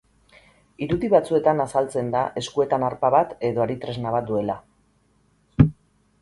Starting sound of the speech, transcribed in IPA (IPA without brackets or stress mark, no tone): i